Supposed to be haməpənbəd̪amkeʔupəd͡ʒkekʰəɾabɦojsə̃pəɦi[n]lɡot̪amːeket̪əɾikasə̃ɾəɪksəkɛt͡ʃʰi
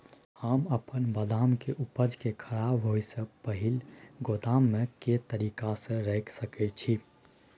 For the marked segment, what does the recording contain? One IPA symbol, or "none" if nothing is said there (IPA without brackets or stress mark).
none